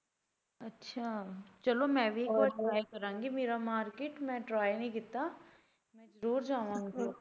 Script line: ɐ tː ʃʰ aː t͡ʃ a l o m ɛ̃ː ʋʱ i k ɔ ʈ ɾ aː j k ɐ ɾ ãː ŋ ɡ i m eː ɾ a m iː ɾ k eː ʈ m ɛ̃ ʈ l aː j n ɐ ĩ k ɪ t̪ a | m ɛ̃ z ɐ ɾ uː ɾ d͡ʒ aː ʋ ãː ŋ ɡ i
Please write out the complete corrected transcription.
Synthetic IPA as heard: ɐ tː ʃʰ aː t͡ʃ ɐ l o m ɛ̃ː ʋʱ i k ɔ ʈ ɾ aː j k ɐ ɾ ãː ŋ ɡ i m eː ɾ a m aː ɾ k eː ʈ m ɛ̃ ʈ ɾ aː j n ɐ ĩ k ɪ t̪ a | m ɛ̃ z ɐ ɾ uː ɾ d͡ʒ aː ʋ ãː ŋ ɡ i